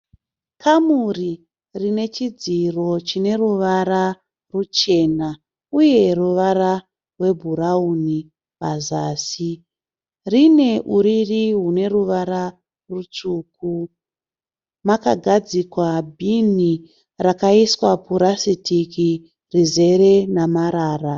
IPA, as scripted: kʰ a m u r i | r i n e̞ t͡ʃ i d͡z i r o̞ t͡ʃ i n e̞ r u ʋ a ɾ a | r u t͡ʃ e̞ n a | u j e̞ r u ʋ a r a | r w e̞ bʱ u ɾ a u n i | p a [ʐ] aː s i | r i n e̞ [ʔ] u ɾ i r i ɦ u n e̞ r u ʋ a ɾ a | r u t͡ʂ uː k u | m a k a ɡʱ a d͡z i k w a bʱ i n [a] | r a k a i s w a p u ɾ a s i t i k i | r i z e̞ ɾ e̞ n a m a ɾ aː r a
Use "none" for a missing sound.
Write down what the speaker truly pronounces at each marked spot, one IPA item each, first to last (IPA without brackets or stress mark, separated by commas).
z, ʔ, i